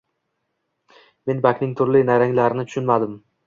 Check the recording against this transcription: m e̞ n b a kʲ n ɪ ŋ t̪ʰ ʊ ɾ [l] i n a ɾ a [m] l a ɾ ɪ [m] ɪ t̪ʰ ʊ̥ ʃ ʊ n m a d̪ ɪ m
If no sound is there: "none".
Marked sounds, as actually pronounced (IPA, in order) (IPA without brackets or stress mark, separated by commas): l, ŋ, n